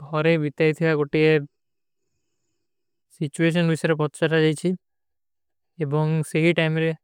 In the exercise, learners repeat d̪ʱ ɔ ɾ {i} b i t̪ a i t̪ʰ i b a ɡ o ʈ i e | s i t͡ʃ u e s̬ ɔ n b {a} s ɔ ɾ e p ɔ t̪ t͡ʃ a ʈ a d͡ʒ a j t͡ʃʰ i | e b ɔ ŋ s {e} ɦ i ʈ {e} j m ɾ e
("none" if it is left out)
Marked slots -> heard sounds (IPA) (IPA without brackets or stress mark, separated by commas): e, i, e, a